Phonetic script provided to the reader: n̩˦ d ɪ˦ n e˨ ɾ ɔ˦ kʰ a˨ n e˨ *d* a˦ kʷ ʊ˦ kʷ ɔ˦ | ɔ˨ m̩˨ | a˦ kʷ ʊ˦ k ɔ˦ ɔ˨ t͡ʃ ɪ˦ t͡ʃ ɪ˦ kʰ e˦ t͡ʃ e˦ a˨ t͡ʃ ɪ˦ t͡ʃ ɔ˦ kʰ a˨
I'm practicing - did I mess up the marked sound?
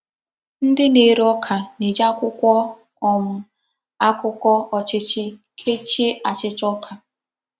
yes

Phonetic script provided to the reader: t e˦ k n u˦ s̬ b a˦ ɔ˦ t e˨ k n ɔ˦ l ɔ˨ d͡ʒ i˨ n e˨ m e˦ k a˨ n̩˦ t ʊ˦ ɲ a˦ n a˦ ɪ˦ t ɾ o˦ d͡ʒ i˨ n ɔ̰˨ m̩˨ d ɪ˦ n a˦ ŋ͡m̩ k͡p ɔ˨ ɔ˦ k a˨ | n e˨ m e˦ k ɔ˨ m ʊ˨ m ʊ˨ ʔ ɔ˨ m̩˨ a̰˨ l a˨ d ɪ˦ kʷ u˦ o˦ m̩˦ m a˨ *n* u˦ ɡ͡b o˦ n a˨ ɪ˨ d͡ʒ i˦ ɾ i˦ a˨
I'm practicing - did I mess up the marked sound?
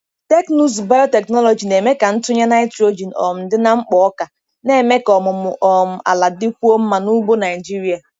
no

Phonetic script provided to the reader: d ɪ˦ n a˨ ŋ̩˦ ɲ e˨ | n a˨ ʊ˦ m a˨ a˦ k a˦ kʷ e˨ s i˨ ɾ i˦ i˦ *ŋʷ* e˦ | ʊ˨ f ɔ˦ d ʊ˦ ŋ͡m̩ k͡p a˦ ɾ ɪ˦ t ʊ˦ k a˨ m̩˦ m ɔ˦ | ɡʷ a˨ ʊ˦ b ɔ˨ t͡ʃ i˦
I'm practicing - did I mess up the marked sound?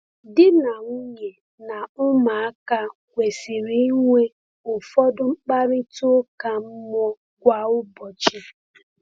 no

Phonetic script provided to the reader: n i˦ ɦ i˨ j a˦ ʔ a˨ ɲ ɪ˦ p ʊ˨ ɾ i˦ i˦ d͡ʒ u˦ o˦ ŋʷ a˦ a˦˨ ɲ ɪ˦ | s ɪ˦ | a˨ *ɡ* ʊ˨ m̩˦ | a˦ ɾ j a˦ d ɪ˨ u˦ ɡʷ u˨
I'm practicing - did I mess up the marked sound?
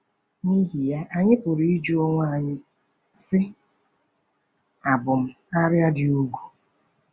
yes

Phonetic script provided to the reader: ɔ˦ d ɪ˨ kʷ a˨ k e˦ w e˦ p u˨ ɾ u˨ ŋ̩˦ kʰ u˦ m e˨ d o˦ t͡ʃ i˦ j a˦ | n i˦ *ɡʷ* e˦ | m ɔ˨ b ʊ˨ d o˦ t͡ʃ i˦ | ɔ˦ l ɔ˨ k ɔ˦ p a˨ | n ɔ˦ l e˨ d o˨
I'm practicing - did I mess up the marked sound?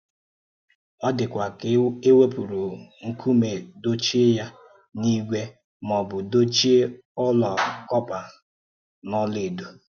no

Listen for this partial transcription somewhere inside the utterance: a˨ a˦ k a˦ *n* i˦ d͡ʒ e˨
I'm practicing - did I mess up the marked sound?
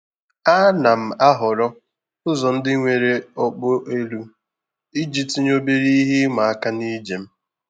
no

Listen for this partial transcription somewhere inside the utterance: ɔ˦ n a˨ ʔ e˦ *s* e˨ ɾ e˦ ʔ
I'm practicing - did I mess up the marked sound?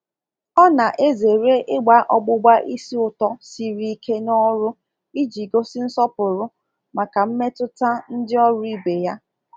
yes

